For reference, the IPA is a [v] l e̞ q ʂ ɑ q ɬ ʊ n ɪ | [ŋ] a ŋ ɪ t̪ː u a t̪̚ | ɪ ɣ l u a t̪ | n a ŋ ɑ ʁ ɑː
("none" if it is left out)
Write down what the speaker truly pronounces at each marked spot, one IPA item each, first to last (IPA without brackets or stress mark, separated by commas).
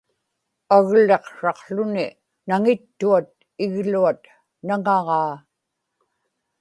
ɣ, n